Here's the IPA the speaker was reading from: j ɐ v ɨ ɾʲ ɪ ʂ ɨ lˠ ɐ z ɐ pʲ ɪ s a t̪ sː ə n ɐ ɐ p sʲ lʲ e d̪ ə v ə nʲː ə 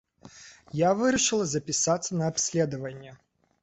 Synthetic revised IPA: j a v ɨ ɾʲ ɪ ʂ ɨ lˠ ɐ z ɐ pʲ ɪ s a t̪ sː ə n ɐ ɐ p sʲ lʲ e d̪ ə v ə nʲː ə